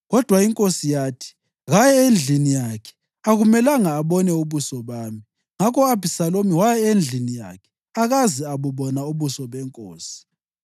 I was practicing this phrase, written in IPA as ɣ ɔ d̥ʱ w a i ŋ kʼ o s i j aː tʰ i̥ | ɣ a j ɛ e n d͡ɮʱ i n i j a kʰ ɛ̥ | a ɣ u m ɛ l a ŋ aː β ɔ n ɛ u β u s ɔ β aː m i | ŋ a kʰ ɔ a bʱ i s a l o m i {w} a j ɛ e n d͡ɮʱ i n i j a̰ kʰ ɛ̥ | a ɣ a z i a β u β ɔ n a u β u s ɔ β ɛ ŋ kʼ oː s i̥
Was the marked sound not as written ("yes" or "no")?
no